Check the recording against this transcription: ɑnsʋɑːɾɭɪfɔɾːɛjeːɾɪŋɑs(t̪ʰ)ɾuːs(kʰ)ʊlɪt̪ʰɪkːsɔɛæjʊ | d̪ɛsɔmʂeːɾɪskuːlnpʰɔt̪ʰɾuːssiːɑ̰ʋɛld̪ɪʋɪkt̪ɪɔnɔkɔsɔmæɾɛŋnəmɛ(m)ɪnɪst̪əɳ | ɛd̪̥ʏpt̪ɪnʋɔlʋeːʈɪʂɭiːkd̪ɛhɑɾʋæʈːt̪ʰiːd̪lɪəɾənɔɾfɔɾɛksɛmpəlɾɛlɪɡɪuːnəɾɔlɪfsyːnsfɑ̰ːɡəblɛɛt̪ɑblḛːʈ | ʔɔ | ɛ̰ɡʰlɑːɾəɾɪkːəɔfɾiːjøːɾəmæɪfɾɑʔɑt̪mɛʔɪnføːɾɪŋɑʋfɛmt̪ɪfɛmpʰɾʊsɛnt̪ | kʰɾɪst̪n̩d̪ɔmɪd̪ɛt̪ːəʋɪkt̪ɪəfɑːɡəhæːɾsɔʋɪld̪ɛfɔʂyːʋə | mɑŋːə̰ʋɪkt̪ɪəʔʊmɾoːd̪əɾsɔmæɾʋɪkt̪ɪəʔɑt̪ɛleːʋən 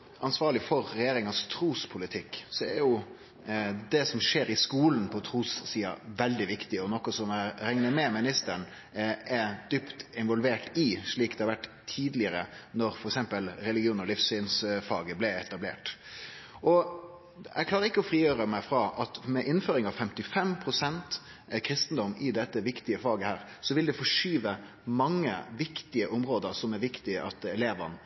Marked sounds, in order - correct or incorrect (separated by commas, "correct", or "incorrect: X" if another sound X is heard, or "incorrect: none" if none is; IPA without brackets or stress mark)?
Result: correct, incorrect: pʰ, correct